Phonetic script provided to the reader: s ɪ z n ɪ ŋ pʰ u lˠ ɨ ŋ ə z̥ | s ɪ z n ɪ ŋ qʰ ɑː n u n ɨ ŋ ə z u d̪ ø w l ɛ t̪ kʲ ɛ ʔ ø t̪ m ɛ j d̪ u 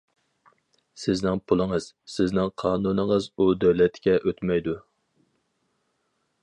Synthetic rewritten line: s ɪ z n ɪ ŋ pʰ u lˠ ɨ ŋ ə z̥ | s ɪ z n ɪ ŋ qʰ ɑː n u n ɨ ŋ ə z u d̪ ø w l ɛ t̪ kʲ ɛ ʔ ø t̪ m ɛ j d̪ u